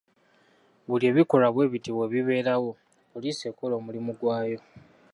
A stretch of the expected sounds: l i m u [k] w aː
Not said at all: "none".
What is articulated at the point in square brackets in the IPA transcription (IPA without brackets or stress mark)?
ɡ